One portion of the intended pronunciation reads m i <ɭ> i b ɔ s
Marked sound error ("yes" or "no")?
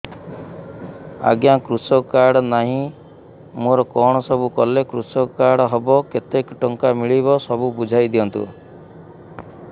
no